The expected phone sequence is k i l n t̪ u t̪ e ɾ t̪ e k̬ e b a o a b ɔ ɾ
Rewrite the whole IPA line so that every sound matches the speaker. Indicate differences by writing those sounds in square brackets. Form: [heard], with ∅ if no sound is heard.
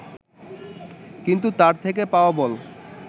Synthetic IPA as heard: k i [∅] n t̪ u t̪ [a] ɾ [t̪ʰ] e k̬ e [p] a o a b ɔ [l]